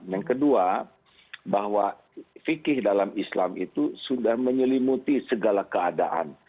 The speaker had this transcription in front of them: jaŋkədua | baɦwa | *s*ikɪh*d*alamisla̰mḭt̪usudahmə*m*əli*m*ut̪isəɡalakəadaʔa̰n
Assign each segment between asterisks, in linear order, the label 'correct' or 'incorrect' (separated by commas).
incorrect, correct, incorrect, correct